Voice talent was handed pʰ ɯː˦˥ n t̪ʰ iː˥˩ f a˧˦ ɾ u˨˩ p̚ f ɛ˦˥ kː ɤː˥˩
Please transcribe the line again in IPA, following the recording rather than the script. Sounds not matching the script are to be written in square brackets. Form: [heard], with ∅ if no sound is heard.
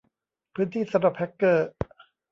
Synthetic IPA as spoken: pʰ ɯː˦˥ n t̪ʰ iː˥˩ [s] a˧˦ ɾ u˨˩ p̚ [h] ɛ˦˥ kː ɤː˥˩